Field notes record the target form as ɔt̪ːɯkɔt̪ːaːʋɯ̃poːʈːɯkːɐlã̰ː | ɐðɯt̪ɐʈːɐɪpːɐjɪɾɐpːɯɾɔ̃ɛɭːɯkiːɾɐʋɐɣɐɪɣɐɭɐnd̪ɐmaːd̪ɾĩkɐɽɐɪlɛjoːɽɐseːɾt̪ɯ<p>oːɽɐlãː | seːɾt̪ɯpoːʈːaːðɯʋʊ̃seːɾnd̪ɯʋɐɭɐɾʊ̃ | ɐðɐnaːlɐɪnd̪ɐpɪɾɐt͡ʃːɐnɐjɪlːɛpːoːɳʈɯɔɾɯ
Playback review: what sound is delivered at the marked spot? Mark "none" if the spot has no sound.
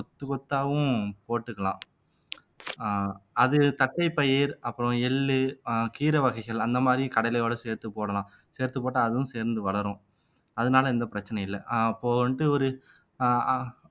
p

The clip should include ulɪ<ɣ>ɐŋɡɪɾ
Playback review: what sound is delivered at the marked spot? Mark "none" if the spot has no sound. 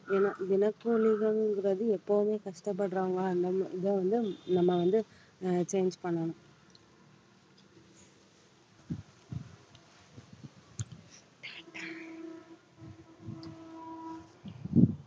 ɣ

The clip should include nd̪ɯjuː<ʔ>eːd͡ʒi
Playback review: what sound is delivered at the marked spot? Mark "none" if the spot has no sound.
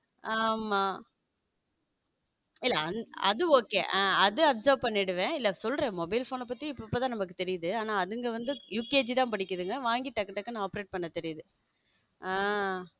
k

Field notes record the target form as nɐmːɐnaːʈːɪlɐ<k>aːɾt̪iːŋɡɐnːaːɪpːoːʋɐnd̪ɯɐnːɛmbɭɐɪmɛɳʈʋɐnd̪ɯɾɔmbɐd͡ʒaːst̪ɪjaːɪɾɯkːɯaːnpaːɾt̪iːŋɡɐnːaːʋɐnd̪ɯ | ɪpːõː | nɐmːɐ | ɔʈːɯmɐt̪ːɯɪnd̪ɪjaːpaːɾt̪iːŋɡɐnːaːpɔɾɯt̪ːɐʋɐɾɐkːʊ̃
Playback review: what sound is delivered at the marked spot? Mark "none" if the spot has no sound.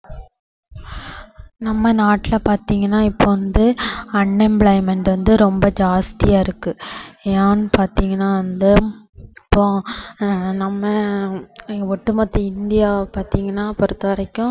p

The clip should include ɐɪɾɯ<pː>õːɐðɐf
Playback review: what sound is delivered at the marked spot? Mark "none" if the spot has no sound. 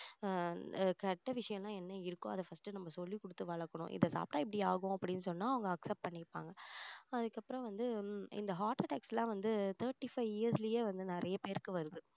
kː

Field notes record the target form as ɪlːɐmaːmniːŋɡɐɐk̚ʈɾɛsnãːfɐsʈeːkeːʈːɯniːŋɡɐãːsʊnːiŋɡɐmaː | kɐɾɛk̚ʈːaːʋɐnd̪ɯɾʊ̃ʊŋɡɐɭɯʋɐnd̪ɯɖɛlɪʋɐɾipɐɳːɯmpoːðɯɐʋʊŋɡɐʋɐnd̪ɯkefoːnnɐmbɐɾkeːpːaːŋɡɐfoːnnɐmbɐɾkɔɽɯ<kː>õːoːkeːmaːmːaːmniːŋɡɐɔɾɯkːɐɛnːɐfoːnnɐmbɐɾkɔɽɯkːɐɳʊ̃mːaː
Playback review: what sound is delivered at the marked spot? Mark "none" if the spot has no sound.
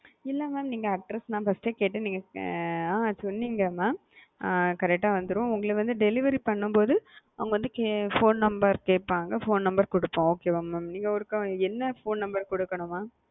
pː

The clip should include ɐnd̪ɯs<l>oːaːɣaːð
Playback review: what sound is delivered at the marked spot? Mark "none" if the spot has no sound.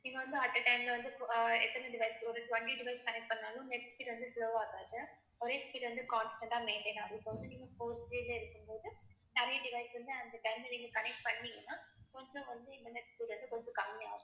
l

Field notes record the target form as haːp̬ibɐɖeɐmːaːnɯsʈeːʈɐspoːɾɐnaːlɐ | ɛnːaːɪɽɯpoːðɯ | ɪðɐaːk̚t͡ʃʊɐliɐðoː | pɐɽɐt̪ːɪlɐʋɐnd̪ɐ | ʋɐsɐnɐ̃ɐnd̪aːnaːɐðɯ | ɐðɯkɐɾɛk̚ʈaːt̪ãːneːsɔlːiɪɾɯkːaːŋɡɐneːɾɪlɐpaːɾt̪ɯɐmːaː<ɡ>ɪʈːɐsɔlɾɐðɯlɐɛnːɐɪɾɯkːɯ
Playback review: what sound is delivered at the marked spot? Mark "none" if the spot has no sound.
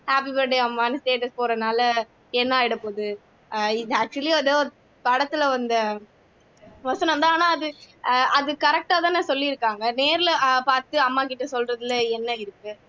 k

